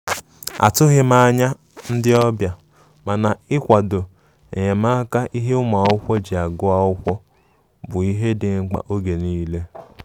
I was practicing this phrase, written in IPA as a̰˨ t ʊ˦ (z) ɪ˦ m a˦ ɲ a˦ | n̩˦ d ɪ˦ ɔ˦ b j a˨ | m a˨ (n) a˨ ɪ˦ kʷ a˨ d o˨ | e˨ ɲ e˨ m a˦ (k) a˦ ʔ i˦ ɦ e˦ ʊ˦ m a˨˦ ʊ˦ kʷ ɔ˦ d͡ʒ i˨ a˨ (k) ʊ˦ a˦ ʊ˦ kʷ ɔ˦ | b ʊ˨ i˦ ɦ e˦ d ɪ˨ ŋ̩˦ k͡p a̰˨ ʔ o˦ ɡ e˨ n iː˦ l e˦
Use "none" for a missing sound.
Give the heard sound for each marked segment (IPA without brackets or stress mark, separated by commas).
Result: ɣ, n, k, ɡ